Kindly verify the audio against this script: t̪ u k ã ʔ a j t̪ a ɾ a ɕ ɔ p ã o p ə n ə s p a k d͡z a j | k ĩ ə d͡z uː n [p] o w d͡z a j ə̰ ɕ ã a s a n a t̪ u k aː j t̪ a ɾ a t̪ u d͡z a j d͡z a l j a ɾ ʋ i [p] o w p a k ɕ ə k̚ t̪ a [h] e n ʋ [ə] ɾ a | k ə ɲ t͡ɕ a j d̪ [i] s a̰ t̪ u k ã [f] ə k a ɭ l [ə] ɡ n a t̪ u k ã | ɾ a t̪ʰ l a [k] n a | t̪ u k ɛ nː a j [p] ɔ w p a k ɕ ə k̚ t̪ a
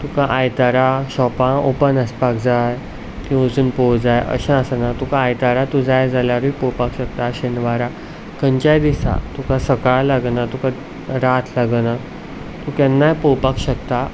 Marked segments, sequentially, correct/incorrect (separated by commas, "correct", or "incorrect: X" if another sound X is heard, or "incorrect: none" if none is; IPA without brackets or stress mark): correct, correct, incorrect: ɕ, incorrect: a, correct, incorrect: s, incorrect: a, incorrect: ɡ, correct